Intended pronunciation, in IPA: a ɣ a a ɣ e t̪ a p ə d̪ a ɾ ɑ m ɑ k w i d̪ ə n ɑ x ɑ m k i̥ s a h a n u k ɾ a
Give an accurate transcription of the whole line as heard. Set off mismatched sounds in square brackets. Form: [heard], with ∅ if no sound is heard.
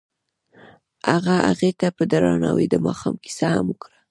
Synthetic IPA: a ɣ a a ɣ e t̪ a p ə d̪ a ɾ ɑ [n] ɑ [∅] w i d̪ ə [m] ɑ x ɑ m k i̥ s a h a [m] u k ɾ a